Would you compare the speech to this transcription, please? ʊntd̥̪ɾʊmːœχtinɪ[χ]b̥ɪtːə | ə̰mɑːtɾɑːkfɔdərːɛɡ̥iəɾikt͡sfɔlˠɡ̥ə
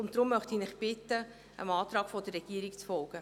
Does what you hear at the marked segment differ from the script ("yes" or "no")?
no